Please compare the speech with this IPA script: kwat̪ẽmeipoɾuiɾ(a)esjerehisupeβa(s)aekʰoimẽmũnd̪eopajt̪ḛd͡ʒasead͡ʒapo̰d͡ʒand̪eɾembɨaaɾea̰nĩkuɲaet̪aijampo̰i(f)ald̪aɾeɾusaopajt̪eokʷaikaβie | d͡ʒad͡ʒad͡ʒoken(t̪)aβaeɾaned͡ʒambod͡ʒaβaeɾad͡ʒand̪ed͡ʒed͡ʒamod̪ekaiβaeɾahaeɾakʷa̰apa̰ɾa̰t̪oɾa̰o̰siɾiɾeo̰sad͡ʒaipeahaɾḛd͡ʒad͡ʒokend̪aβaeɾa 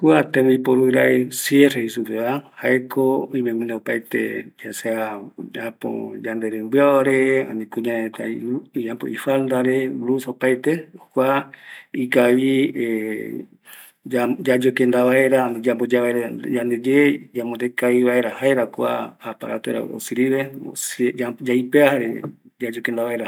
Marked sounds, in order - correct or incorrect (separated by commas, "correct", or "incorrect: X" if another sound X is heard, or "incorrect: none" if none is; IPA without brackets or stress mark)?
correct, incorrect: h, correct, incorrect: d̪